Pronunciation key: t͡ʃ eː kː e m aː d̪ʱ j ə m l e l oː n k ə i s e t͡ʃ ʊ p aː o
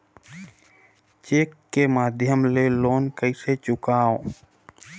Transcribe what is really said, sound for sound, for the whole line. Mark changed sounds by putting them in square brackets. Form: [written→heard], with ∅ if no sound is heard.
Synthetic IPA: t͡ʃ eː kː e m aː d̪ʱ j ə m l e l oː n k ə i s e t͡ʃ ʊ [p→k] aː o